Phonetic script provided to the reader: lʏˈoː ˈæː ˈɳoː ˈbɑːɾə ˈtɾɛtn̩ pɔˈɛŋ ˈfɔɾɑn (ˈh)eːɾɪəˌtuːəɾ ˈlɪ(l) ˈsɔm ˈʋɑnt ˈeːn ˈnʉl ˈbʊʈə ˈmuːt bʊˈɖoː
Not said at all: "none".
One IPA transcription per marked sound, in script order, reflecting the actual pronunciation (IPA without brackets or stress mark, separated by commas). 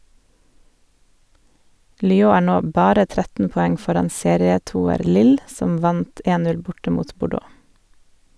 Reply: s, l